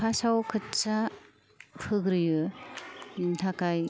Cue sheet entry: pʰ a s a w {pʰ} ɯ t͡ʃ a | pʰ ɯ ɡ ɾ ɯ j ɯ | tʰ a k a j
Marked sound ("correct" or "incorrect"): incorrect